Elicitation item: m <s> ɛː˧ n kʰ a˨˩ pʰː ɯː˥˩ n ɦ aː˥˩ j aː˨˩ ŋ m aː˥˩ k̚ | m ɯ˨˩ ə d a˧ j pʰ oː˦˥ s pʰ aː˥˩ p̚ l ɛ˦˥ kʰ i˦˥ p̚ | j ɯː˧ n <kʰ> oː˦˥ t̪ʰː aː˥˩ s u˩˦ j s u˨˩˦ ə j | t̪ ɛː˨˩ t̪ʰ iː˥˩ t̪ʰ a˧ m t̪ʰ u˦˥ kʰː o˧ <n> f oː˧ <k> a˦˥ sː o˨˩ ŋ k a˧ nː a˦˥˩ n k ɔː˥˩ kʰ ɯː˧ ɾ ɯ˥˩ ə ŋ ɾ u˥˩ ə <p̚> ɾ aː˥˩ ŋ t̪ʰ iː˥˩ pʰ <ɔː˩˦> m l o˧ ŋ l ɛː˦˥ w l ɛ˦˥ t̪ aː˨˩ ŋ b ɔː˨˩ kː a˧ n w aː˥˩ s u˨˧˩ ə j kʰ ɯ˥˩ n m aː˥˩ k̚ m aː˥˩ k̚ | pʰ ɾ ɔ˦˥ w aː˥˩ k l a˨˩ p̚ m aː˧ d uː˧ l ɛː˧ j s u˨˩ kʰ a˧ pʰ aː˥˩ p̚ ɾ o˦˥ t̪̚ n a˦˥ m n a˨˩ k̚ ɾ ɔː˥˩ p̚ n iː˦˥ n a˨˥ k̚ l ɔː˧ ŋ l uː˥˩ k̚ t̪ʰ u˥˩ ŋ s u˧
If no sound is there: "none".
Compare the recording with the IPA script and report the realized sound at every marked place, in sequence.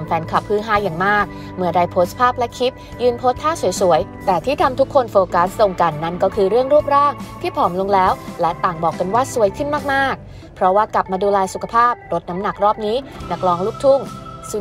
f, pʰ, n, k, p̚, ɔː˩˦

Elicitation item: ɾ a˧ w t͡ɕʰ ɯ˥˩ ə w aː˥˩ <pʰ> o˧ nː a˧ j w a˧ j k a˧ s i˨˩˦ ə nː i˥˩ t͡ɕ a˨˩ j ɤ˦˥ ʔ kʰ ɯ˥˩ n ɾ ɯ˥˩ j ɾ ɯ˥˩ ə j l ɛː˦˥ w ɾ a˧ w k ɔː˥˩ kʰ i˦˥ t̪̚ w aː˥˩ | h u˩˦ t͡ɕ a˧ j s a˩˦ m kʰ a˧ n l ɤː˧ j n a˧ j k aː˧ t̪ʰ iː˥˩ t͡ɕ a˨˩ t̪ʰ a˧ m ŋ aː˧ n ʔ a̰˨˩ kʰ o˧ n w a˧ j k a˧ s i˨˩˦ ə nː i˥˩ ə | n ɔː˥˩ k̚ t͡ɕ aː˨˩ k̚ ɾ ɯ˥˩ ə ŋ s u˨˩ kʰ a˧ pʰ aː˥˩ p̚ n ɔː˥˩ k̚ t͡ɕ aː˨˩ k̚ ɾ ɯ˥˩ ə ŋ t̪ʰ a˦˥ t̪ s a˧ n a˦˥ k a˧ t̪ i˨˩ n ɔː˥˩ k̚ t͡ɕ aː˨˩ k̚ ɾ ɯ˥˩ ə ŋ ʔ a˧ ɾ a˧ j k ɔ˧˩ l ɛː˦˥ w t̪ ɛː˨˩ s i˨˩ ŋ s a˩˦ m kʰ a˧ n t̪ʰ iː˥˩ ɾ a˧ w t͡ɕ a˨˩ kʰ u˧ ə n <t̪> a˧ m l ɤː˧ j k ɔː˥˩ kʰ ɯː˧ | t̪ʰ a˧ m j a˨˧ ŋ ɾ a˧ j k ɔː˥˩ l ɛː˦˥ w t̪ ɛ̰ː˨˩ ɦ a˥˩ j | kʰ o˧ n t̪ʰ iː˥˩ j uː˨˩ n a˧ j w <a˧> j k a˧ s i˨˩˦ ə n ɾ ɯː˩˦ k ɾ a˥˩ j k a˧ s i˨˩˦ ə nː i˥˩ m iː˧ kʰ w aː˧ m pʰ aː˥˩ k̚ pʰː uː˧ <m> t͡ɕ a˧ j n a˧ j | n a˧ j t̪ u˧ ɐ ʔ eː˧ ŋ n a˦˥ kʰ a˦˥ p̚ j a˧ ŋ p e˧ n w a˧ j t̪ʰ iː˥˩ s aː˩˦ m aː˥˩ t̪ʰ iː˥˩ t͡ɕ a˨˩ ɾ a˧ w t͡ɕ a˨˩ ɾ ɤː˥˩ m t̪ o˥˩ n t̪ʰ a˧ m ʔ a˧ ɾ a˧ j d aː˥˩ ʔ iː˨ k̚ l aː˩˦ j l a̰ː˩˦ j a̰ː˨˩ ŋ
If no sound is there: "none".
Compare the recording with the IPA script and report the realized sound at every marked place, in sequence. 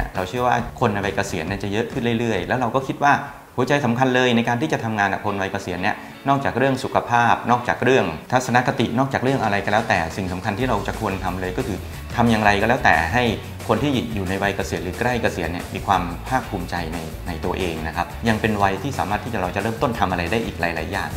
kʰ, t̪ʰ, a˧, m

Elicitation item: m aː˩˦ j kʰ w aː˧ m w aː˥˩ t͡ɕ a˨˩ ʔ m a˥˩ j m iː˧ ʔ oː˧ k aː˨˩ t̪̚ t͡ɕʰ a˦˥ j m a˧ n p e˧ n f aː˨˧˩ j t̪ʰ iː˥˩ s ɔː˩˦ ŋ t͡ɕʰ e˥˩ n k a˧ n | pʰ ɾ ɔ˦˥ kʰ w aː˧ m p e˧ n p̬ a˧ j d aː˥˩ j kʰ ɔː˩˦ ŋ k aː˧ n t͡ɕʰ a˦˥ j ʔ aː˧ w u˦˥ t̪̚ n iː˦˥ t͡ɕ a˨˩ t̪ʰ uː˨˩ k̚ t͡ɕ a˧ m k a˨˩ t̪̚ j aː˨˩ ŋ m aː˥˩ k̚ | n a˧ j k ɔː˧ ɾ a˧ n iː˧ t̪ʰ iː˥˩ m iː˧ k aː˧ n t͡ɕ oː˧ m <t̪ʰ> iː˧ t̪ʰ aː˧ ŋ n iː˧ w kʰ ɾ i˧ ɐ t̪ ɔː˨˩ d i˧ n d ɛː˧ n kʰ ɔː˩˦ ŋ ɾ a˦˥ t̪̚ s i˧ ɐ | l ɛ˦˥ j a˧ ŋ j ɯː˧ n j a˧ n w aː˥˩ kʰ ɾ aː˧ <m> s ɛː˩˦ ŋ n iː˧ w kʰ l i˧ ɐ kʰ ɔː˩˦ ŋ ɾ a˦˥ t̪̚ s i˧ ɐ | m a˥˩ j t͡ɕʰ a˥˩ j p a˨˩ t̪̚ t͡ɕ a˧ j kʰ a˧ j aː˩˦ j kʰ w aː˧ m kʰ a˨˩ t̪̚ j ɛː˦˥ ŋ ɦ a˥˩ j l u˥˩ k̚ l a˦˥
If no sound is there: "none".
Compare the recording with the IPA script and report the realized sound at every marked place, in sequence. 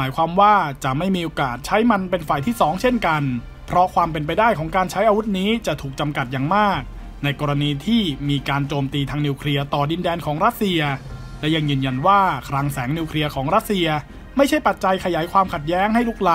t̪, ŋ

